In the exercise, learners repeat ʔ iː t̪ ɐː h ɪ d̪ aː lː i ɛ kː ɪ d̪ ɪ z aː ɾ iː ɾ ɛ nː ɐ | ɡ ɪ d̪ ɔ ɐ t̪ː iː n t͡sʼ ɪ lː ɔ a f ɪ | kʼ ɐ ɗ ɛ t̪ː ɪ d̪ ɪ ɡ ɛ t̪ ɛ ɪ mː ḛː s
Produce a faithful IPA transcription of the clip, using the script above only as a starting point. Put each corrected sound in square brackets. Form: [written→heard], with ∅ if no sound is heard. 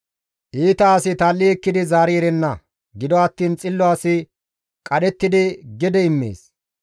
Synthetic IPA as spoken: ʔ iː t̪ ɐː [h→s] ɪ [d̪→t̪] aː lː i ɛ kː ɪ d̪ ɪ z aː ɾ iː ɾ ɛ nː ɐ | ɡ ɪ d̪ ɔ ɐ t̪ː iː n t͡sʼ ɪ lː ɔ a [f→s] ɪ | kʼ ɐ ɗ ɛ t̪ː ɪ d̪ ɪ ɡ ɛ [t̪→d̪] ɛ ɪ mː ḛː s

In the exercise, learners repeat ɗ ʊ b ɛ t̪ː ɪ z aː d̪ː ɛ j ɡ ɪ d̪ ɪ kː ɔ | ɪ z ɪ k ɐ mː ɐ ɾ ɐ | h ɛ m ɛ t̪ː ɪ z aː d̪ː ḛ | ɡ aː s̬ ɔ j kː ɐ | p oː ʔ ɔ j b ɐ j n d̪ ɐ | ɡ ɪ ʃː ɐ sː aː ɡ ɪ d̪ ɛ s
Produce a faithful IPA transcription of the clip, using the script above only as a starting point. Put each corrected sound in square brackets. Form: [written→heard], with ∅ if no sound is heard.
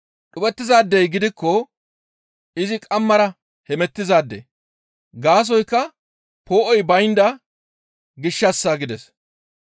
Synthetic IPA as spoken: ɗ ʊ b ɛ t̪ː ɪ z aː d̪ː ɛ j ɡ ɪ d̪ ɪ kː ɔ | ɪ z ɪ [k→kʼ] ɐ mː ɐ ɾ ɐ | h ɛ m ɛ t̪ː ɪ z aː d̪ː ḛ | ɡ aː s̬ ɔ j kː ɐ | p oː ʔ ɔ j b ɐ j n d̪ ɐ | ɡ ɪ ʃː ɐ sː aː ɡ ɪ d̪ ɛ s

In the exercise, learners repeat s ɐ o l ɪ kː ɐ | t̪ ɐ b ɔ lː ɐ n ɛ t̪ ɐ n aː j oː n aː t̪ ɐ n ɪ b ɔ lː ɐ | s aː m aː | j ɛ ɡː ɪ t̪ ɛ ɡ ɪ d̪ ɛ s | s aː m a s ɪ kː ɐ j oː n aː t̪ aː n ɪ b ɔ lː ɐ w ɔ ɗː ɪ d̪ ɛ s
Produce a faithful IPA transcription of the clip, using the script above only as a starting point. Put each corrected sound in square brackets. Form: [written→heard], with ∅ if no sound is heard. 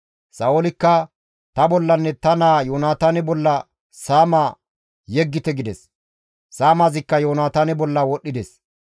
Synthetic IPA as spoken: s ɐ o l ɪ kː ɐ | t̪ ɐ b ɔ lː ɐ [n→nː] ɛ t̪ ɐ n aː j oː n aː t̪ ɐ n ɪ b ɔ lː ɐ | s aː m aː | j ɛ ɡː ɪ t̪ ɛ ɡ ɪ d̪ ɛ s | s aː m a [s→z] ɪ kː ɐ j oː n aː t̪ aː n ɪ b ɔ lː ɐ w ɔ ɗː ɪ d̪ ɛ s

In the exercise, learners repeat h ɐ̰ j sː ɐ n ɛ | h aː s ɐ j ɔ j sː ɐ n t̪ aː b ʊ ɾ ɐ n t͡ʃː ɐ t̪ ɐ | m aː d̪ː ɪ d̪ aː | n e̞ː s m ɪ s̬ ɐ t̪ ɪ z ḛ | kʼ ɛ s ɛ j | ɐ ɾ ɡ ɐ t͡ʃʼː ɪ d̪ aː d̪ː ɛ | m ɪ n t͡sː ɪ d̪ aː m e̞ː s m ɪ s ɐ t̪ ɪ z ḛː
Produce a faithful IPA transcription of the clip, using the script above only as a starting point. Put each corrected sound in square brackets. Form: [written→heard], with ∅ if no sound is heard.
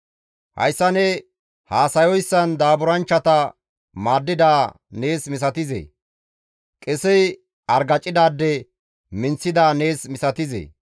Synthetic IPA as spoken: h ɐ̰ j sː ɐ n ɛ | h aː s ɐ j ɔ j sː ɐ n [t̪→d̪] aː b ʊ ɾ ɐ n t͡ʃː ɐ t̪ ɐ | m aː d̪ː ɪ d̪ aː | n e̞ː s m ɪ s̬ ɐ t̪ ɪ z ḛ | kʼ ɛ s ɛ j | ɐ ɾ ɡ ɐ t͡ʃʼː ɪ d̪ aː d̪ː ɛ | m ɪ n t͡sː ɪ d̪ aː [m→n] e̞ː s m ɪ s ɐ t̪ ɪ z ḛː

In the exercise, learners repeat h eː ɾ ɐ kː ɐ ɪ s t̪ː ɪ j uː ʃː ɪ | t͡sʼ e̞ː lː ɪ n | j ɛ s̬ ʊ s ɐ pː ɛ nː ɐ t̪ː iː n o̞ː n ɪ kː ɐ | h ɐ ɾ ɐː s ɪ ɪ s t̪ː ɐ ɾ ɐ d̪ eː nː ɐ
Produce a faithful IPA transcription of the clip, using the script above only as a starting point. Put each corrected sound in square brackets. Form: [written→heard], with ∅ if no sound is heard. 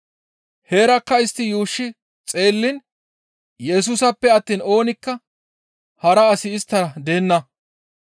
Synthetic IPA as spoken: h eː ɾ ɐ kː ɐ ɪ s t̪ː ɪ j uː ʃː ɪ | t͡sʼ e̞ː lː ɪ n | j ɛ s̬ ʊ s ɐ pː ɛ [nː→∅] ɐ t̪ː iː n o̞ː n ɪ kː ɐ | h ɐ ɾ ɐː s ɪ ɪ s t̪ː ɐ ɾ ɐ d̪ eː nː ɐ

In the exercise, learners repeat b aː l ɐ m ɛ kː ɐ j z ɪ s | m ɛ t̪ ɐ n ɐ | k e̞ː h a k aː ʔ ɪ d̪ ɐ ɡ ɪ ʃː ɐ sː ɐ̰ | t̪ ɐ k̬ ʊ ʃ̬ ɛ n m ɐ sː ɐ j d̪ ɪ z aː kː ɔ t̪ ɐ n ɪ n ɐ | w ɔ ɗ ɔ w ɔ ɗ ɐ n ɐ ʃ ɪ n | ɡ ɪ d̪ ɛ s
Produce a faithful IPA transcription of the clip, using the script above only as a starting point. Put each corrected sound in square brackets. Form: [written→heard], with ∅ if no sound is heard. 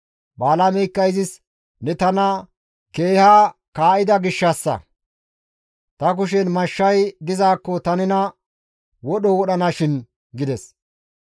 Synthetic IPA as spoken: b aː l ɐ m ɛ kː ɐ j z ɪ s | [m→n] ɛ t̪ ɐ n ɐ | k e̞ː h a k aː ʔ ɪ d̪ ɐ ɡ ɪ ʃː ɐ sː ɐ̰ | t̪ ɐ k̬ ʊ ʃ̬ ɛ n m ɐ [sː→ʃː] ɐ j d̪ ɪ z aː kː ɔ t̪ ɐ n ɪ n ɐ | w ɔ ɗ ɔ w ɔ ɗ ɐ n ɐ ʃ ɪ n | ɡ ɪ d̪ ɛ s

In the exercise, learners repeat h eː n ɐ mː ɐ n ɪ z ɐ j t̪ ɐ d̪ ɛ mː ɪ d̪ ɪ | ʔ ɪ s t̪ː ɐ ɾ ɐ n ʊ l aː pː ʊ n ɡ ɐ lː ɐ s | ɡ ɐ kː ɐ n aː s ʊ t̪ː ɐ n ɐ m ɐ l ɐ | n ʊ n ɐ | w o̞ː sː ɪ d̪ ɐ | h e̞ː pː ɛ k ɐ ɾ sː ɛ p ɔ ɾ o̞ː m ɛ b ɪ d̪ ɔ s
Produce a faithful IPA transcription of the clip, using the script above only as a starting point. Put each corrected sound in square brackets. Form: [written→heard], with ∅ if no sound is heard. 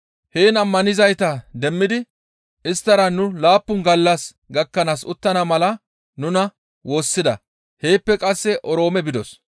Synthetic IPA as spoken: h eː n ɐ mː ɐ n ɪ z ɐ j t̪ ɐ d̪ ɛ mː ɪ d̪ ɪ | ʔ ɪ s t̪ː ɐ ɾ ɐ n ʊ l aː pː ʊ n ɡ ɐ lː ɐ s | ɡ ɐ kː ɐ n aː s ʊ t̪ː ɐ n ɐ m ɐ l ɐ | n ʊ n ɐ | w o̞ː sː ɪ d̪ ɐ | h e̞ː pː ɛ [k→kʼ] ɐ [ɾ→∅] sː ɛ [p→ʔ] ɔ ɾ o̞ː m ɛ b ɪ d̪ ɔ s

